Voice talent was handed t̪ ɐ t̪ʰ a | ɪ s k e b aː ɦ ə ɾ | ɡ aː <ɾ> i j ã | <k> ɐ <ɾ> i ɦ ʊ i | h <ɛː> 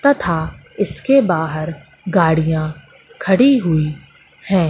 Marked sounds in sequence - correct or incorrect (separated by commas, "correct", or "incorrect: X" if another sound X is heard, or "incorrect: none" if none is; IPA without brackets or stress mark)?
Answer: incorrect: ɽ, incorrect: kʰ, incorrect: ɽ, incorrect: ɛ̃ː